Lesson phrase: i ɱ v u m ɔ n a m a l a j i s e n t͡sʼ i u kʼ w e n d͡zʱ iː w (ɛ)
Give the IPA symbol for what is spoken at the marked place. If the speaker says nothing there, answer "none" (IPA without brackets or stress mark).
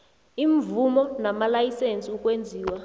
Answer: a